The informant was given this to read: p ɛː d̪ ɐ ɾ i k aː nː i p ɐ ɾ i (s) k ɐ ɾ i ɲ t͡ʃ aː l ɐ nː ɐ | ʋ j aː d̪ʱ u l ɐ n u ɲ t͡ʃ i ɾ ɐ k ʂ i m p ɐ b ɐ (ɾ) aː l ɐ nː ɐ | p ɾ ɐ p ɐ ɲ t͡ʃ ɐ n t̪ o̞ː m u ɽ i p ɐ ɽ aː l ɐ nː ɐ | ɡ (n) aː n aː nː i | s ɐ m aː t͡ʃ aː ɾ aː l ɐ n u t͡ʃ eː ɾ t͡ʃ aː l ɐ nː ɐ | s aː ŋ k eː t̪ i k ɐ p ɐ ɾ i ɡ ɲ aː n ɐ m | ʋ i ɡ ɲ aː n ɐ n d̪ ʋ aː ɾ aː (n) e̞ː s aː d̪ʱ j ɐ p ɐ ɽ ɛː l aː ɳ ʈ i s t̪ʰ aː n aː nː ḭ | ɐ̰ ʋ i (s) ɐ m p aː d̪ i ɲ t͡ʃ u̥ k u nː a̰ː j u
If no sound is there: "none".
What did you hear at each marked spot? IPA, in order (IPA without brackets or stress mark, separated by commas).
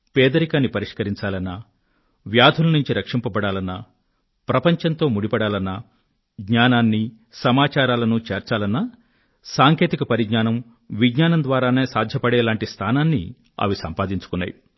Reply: ʂ, ɽ, ɲ, n, s